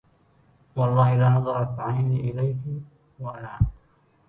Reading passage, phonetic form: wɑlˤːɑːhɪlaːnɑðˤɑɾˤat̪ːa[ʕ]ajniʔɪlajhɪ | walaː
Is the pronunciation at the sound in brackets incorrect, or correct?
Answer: correct